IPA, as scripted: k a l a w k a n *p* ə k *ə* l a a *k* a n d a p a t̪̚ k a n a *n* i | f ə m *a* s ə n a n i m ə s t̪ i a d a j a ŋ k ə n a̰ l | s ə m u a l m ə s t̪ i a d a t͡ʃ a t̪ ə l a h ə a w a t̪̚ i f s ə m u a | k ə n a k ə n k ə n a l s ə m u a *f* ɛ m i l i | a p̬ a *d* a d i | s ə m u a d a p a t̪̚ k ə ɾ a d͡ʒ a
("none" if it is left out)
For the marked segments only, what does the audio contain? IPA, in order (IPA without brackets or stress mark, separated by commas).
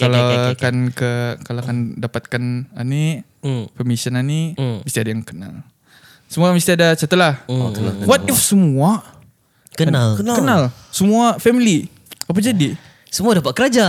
k, a, k, n, i, f, d͡ʒ